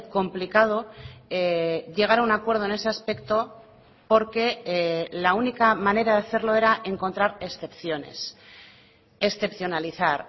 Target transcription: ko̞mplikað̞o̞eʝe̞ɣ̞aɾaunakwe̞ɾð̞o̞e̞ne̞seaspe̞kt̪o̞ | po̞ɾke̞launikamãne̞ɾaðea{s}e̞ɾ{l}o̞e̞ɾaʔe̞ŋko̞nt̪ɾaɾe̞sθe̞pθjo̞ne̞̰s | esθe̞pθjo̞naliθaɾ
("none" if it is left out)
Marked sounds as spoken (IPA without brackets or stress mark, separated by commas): θ, l